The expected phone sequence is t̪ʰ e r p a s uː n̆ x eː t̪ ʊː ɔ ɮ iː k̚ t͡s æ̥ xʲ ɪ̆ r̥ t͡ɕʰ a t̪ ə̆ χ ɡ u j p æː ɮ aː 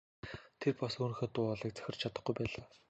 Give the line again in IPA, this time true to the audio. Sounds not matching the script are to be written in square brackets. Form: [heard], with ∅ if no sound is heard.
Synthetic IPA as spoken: t̪ʰ e r p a s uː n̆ x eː t̪ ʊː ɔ ɮ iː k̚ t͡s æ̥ xʲ ɪ̆ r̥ t͡ɕʰ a t̪ ə̆ χ ɡ u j p æː ɮ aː